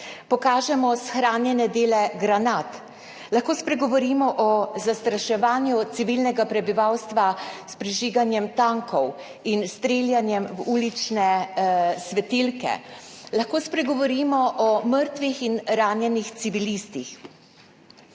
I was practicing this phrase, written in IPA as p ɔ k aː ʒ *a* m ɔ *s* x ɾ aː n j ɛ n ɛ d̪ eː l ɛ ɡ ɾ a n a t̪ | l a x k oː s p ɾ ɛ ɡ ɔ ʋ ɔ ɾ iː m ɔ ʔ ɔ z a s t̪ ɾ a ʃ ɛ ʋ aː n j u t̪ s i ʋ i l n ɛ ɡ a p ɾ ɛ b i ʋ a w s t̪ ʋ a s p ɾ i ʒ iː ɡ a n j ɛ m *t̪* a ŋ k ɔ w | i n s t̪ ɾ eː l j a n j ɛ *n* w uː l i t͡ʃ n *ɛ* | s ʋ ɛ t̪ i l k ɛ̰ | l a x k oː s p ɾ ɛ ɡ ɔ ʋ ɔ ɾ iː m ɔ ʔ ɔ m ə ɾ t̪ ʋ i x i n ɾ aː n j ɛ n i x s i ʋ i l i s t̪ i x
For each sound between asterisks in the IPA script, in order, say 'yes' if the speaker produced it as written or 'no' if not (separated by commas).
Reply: no, yes, yes, no, yes